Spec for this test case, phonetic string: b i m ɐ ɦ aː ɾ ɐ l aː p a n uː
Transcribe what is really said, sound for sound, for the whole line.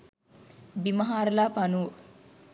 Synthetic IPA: b i m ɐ ɦ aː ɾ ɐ l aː p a n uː